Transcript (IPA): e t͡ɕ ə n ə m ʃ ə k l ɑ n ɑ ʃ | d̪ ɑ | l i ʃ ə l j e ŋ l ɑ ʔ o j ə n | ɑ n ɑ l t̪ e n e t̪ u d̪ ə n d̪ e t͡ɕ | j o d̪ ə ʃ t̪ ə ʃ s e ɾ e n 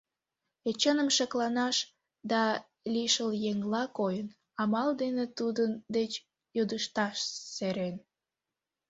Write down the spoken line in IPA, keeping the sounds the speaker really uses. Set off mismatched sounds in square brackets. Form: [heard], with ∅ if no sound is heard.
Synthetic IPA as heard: e t͡ɕ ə n ə m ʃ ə k l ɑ n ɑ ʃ | d̪ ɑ | l i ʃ ə l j e ŋ l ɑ [k] o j ə n | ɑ [m] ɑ l [d̪] e n e t̪ u d̪ ə n d̪ e t͡ɕ | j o d̪ ə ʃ t̪ [ɑ] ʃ s e ɾ e n